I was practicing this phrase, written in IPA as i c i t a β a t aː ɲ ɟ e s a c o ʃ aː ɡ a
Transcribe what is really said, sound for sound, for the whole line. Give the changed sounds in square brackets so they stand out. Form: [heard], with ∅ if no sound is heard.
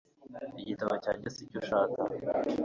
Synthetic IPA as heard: i [ɟ] i t a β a [c] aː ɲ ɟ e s [i] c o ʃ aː [k] a